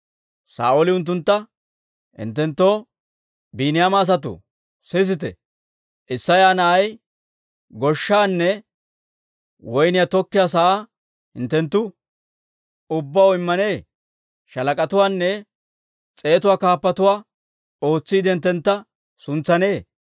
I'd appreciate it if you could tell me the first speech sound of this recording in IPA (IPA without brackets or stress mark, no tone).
s